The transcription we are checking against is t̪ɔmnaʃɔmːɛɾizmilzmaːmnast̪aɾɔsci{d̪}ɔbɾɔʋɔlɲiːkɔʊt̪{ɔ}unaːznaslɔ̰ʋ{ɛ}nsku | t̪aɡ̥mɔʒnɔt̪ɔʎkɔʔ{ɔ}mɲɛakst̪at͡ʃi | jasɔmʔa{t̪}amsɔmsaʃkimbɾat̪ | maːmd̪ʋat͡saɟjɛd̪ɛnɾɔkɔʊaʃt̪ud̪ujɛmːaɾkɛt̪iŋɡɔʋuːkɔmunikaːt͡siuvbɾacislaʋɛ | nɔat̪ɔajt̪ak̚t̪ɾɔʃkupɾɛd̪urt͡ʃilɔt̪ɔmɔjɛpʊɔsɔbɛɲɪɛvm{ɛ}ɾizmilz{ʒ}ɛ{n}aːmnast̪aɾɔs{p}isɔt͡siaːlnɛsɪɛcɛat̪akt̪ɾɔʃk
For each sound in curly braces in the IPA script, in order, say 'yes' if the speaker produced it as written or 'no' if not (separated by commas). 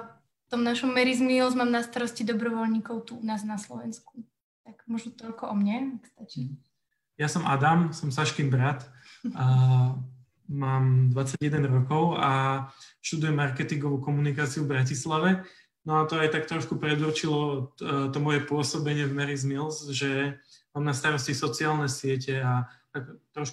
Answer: yes, no, yes, yes, no, yes, yes, no, no